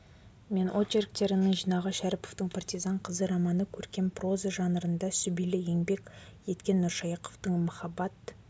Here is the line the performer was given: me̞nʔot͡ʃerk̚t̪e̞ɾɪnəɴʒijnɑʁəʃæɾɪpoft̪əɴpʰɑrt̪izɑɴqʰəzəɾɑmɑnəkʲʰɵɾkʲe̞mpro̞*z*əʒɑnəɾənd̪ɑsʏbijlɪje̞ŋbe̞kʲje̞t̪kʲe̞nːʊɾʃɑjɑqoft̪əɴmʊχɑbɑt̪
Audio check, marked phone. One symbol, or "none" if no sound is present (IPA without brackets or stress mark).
z